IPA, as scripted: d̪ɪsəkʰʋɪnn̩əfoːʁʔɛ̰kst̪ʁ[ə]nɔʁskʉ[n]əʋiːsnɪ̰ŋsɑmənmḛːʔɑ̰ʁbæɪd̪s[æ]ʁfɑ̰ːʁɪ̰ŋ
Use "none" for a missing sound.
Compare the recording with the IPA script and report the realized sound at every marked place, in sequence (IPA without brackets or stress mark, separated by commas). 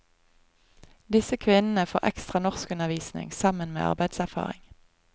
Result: ɑ, n, æ